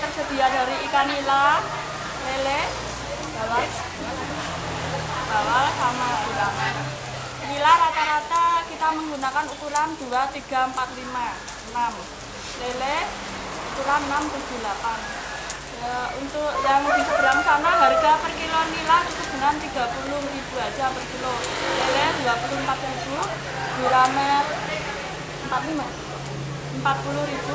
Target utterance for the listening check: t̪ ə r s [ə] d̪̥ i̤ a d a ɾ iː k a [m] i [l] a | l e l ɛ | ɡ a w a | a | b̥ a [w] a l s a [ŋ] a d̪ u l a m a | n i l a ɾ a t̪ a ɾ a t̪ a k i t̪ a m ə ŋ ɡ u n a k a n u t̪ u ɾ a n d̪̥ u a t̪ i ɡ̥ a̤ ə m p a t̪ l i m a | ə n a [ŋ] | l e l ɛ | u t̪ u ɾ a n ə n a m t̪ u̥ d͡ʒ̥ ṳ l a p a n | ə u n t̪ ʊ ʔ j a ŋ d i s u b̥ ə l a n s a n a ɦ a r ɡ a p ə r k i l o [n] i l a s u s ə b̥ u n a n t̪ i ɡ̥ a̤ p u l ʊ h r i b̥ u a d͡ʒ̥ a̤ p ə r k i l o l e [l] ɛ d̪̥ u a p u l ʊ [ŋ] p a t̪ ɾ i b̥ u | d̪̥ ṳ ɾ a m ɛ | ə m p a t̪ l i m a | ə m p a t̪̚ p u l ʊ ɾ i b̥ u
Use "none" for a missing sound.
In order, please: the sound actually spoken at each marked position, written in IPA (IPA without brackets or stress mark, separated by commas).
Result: ə, n, l, w, m, m, n, l, m